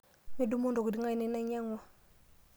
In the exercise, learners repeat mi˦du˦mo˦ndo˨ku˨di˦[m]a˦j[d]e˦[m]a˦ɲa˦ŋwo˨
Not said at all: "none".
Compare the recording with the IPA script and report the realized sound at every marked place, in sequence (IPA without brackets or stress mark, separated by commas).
ŋ, n, n